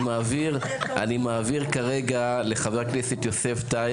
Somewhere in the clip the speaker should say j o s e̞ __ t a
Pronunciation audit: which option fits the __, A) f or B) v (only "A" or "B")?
A